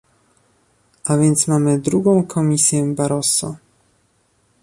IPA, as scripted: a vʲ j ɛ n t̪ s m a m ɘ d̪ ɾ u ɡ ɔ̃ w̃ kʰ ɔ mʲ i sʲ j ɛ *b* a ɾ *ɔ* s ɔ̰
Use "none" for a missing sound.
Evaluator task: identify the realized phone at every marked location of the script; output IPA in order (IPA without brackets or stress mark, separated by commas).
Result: b, ɔ